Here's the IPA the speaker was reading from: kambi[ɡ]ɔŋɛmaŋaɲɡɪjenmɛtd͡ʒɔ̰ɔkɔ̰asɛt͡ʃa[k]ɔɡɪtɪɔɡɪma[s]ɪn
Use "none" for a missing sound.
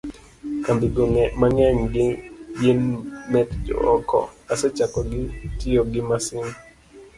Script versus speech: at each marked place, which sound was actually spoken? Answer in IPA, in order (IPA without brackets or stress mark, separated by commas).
ɡ, k, s